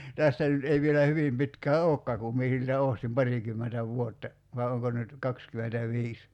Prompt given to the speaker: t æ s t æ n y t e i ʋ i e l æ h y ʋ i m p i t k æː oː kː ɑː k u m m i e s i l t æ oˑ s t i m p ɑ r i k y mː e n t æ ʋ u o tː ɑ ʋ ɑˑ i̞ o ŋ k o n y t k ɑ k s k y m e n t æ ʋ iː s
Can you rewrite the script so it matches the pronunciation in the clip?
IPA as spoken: t æ s t æ n y t e i ʋ i e l æ h y ʋ i m p i t k æː oː kː ɑː k u m m i e s i l t æ oˑ s t i m p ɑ r i k y mː e n t æ ʋ u o tː ɑ ʋ ɑˑ i̞ o ŋ k o n y t k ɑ k s k y m e n t æ ʋ iː s